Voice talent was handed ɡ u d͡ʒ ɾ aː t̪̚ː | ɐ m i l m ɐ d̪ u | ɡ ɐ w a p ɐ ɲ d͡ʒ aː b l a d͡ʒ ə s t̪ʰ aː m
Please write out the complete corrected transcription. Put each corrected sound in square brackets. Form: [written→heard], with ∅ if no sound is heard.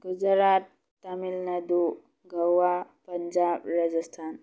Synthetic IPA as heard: ɡ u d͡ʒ ɾ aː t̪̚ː | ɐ m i l [m→n] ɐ d̪ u | ɡ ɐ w a p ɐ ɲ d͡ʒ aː b [l→ɾ] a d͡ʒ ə s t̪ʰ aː [m→n]